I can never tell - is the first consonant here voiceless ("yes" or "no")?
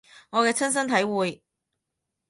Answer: no